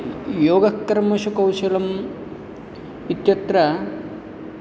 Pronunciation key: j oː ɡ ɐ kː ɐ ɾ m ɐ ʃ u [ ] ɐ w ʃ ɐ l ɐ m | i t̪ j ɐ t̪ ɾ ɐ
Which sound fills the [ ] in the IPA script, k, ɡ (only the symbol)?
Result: k